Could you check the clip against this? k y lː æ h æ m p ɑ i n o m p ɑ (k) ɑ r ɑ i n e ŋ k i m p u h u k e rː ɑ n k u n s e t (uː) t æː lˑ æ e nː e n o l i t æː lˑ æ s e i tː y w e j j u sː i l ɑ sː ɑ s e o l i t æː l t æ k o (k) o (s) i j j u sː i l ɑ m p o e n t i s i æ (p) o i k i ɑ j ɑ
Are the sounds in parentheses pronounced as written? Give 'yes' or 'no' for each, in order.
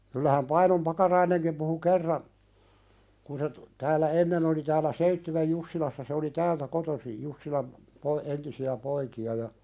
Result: yes, no, no, yes, yes

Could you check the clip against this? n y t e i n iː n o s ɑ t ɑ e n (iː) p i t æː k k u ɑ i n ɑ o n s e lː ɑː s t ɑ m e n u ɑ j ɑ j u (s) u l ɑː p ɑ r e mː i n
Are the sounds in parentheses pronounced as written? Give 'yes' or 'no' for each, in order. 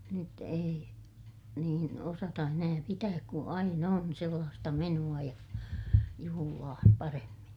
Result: no, no

